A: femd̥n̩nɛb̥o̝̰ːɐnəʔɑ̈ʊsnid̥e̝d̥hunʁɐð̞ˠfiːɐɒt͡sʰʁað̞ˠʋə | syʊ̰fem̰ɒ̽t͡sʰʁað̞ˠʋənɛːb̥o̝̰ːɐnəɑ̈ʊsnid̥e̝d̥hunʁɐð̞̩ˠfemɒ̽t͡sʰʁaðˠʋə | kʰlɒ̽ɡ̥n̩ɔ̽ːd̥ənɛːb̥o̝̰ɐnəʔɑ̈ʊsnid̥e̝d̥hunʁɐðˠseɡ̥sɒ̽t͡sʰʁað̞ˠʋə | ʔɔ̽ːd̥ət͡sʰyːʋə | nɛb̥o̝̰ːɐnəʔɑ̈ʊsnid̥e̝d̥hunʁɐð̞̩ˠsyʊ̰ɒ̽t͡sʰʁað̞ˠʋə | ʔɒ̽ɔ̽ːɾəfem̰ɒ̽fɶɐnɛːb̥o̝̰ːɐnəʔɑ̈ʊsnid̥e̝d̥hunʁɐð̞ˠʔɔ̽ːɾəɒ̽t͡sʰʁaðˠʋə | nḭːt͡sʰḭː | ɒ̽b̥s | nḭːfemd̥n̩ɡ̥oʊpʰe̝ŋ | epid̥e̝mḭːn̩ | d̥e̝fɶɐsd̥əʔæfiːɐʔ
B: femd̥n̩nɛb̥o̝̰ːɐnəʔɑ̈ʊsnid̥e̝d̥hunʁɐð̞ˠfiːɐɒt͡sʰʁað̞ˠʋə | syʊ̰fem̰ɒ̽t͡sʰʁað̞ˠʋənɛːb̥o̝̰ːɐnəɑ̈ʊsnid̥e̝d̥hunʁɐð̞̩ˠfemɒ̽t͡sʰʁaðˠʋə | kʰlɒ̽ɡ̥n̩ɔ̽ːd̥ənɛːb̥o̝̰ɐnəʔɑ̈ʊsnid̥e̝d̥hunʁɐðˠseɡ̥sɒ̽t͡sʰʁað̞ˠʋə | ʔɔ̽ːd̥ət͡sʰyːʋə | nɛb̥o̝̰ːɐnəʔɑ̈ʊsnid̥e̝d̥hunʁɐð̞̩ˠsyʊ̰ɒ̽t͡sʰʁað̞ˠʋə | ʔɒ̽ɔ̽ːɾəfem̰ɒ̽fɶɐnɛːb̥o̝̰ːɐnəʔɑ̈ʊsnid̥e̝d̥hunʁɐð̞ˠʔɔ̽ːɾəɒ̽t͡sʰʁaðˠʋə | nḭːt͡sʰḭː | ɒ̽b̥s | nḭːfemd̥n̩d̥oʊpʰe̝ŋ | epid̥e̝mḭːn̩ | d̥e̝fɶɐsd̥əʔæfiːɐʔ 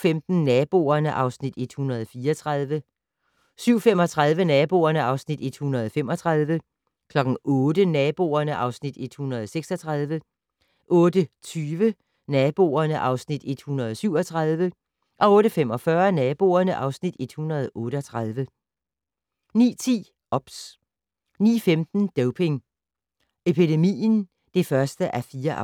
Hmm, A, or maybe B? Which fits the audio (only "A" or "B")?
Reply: B